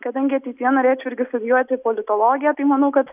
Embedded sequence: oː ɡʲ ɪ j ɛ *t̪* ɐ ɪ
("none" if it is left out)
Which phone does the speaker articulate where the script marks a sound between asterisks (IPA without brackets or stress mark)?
t̪